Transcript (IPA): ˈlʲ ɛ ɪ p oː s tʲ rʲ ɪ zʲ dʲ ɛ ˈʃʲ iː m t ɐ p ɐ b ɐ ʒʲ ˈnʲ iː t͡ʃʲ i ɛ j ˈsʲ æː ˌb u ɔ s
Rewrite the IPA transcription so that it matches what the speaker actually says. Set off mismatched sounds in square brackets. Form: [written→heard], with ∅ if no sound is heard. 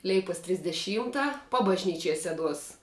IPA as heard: ˈlʲ ɛ ɪ p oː s tʲ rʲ ɪ zʲ dʲ ɛ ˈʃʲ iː m t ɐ p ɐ b ɐ ʒʲ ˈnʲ iː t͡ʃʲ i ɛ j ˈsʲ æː [ˌb→ˌd] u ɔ s